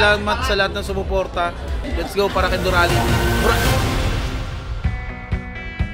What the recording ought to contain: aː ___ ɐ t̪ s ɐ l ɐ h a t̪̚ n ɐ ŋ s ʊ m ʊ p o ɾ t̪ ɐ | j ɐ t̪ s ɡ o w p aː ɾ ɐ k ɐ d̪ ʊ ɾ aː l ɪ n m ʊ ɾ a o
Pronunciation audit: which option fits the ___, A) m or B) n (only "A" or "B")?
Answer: A